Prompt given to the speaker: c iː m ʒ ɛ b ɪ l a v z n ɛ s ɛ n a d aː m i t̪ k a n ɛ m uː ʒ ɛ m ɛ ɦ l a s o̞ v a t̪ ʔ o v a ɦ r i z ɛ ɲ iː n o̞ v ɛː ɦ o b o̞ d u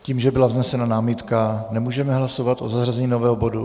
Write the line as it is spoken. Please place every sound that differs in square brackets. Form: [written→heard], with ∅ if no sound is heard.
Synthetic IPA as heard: c iː m ʒ ɛ b ɪ l a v z n ɛ s ɛ n a [d→n] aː m i t̪ k a n ɛ m uː ʒ ɛ m ɛ ɦ l a s o̞ v a t̪ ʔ o [v→z] a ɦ r [i→a] z ɛ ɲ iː n o̞ v ɛː ɦ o b o̞ d u